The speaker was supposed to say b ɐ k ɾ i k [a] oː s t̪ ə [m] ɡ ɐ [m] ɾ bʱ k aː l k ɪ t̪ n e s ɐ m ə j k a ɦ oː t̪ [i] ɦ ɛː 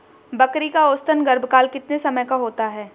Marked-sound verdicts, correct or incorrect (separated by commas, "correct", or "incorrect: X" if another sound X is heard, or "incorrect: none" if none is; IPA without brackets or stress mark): correct, incorrect: n, incorrect: none, incorrect: a